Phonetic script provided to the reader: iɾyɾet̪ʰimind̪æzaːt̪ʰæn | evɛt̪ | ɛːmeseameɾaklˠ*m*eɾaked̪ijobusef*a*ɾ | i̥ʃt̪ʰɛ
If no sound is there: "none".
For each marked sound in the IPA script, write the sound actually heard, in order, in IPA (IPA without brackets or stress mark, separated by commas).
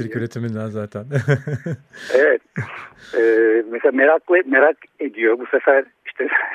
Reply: m, æ